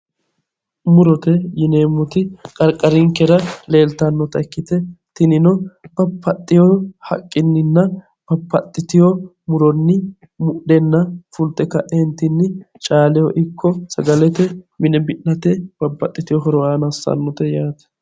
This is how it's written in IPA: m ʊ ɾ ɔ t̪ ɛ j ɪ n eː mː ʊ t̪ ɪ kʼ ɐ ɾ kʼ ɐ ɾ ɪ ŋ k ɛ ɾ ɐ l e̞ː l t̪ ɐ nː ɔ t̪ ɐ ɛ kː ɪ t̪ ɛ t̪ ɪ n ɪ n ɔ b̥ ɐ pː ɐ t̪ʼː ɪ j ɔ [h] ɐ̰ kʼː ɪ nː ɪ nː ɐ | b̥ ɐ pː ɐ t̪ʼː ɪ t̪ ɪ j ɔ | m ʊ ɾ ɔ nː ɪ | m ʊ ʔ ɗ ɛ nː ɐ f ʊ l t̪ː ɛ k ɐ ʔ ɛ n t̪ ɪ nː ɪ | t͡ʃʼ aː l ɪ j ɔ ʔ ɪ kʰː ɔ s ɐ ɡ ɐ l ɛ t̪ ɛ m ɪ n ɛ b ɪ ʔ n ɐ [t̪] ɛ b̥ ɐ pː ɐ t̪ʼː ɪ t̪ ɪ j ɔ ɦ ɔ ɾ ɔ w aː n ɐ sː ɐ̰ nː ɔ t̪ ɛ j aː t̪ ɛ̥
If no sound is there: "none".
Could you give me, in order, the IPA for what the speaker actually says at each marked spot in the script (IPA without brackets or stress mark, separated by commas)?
h, t̪